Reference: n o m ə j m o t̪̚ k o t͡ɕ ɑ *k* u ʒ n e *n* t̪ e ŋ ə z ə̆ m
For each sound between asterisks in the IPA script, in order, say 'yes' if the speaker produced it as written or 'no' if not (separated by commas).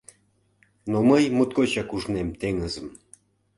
yes, no